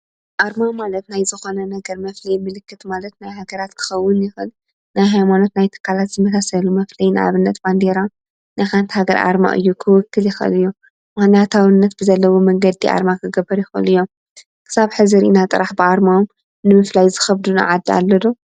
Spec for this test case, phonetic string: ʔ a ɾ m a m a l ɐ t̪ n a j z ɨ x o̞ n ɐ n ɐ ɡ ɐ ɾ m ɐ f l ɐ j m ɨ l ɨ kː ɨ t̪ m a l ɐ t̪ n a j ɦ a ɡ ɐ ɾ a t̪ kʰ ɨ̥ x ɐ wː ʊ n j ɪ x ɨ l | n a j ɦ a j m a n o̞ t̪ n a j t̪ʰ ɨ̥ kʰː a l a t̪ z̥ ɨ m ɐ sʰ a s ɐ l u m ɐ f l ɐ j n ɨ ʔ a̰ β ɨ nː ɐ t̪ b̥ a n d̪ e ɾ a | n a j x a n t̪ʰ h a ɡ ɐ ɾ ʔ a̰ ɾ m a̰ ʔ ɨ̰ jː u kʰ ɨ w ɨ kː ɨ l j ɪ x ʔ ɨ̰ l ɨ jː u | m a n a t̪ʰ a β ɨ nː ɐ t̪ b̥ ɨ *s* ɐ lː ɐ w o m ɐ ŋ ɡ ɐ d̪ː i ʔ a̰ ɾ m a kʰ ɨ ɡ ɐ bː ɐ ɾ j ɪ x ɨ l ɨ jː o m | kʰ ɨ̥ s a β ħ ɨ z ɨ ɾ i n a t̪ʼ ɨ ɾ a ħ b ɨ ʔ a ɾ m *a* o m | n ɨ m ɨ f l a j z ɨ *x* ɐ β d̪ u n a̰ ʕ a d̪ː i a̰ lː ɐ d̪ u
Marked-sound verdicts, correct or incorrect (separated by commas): incorrect, correct, correct